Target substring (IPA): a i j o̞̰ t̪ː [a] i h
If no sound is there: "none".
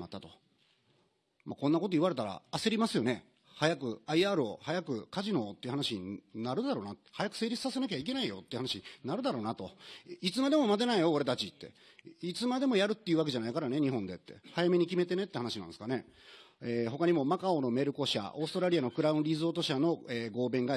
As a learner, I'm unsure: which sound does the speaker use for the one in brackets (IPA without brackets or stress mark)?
e